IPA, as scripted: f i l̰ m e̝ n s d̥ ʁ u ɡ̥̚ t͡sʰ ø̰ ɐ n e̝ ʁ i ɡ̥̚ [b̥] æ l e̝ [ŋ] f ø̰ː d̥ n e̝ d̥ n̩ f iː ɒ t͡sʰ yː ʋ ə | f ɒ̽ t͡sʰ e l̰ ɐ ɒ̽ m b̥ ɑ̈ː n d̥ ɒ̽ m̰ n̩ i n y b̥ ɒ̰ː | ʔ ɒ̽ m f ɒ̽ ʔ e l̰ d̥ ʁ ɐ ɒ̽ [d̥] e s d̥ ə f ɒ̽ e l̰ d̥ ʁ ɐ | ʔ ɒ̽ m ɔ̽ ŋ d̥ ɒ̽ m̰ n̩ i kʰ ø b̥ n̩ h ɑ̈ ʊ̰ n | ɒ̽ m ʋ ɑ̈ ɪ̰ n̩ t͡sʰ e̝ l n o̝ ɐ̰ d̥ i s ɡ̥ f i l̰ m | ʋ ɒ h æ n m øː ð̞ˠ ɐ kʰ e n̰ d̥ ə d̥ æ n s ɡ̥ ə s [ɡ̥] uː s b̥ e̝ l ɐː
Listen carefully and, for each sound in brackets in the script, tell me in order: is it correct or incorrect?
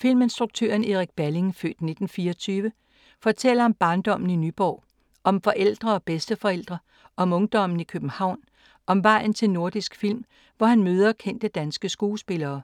correct, correct, incorrect: b̥, correct

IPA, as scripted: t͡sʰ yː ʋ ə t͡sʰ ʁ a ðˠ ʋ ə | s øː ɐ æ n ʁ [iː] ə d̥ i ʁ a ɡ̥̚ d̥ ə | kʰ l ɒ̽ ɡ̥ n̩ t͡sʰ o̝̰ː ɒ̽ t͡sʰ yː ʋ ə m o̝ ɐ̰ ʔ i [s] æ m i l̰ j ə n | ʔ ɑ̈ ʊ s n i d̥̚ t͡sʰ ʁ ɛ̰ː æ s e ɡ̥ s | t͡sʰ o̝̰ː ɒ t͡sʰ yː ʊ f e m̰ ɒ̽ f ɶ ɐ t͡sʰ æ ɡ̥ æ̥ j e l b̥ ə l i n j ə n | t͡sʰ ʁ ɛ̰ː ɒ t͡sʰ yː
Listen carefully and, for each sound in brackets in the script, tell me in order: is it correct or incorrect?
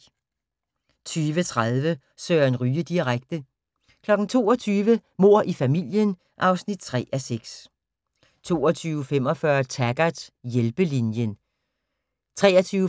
incorrect: yː, incorrect: f

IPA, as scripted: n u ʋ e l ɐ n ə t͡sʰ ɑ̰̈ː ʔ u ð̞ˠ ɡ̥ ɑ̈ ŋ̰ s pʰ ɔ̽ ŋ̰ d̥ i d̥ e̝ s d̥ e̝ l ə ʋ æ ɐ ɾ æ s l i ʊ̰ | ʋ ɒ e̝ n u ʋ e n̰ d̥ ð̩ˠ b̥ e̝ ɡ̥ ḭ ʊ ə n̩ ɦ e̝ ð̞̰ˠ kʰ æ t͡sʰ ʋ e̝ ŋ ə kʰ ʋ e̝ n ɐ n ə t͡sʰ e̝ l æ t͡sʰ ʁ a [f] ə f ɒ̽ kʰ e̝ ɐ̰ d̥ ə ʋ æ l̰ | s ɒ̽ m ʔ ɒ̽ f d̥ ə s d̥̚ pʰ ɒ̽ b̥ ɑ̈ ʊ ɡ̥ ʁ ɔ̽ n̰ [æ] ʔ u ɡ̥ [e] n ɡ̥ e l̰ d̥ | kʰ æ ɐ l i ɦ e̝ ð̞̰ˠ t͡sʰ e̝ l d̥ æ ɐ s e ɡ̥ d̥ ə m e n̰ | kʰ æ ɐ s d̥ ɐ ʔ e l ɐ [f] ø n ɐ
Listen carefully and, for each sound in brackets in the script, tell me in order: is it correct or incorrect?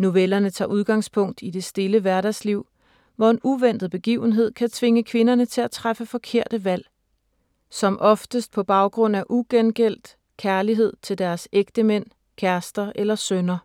correct, correct, correct, incorrect: s

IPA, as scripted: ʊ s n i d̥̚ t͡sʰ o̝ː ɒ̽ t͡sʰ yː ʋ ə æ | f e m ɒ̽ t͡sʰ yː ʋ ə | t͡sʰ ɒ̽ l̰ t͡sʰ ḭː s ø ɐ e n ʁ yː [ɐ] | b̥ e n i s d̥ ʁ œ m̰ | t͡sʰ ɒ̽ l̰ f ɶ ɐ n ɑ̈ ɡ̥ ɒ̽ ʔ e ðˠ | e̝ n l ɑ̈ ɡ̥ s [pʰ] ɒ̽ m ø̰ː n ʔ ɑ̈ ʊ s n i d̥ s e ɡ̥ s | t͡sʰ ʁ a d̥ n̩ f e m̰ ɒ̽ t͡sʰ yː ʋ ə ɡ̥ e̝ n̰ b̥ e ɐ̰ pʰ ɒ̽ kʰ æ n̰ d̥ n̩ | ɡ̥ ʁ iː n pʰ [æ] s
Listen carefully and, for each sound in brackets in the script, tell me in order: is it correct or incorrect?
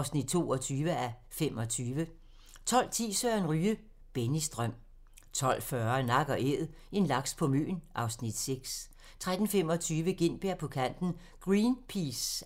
incorrect: ə, correct, incorrect: i

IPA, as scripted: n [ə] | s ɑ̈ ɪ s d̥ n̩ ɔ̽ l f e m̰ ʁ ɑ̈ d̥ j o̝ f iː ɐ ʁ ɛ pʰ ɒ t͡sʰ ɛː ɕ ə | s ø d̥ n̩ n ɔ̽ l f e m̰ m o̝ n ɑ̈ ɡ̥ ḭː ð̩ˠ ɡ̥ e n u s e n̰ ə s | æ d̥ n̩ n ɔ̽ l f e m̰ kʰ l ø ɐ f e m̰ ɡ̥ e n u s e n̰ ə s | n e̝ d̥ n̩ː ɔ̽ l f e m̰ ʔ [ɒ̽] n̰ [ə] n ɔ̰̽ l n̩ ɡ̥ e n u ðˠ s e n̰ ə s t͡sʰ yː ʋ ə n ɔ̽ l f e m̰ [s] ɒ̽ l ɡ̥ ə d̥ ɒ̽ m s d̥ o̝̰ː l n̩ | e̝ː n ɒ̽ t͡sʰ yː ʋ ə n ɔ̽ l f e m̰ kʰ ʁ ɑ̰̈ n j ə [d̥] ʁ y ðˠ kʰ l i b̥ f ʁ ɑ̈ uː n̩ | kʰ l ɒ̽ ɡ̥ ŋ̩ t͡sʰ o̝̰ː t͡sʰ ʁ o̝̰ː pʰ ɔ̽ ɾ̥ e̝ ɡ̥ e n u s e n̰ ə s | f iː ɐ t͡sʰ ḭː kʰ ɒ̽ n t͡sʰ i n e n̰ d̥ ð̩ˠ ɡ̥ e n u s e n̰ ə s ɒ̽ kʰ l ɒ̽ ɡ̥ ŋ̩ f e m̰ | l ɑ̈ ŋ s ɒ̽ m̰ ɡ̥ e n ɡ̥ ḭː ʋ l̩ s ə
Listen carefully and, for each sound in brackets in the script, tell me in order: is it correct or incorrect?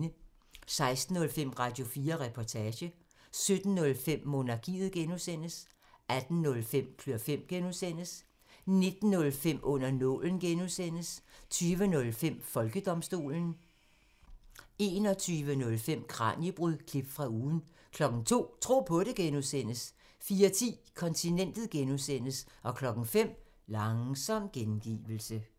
correct, incorrect: ɔ̽, incorrect: ɐ, incorrect: f, incorrect: b̥

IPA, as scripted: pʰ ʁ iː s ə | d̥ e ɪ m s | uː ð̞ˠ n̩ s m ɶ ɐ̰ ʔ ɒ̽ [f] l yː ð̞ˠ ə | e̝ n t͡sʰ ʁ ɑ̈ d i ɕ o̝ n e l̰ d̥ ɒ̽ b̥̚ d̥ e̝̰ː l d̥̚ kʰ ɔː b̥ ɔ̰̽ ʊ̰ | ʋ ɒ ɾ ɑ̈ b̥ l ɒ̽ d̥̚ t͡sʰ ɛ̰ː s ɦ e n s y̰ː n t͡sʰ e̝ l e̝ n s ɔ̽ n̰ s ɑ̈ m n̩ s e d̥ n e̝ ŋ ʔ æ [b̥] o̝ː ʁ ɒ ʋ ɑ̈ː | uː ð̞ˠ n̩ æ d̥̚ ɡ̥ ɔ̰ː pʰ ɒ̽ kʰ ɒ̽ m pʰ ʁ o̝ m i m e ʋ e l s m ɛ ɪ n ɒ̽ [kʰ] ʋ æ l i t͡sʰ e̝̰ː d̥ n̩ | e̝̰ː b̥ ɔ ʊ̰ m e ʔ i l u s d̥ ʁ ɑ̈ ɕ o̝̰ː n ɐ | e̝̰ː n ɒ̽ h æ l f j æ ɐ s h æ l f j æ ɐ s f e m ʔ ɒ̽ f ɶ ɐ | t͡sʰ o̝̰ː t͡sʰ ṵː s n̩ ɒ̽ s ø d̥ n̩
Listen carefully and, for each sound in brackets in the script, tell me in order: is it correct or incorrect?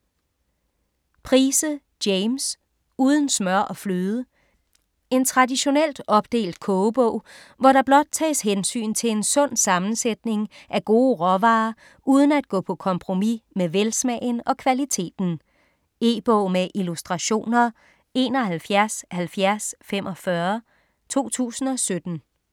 correct, incorrect: ɡ̥, correct

